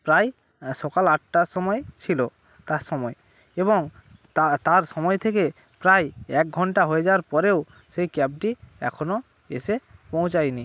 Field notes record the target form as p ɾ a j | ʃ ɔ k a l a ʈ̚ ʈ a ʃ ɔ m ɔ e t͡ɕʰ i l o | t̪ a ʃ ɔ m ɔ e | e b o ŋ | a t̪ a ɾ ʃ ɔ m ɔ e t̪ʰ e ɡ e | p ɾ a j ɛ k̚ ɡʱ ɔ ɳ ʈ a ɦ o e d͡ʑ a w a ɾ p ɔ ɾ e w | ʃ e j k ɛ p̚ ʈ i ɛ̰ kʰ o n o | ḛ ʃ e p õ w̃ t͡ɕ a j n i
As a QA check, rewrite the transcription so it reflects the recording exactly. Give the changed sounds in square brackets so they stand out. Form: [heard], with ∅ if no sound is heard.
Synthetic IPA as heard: p ɾ a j | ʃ ɔ k a l a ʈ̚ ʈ a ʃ ɔ m ɔ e t͡ɕʰ i l o | t̪ a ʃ ɔ m ɔ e | e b o ŋ | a t̪ a ɾ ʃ ɔ m ɔ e t̪ʰ e [k] e | p ɾ a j ɛ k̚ ɡʱ ɔ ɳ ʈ a ɦ o e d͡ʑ a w a ɾ p ɔ ɾ e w | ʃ e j k ɛ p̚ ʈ i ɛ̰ kʰ o n o | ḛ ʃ e p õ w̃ t͡ɕ a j n i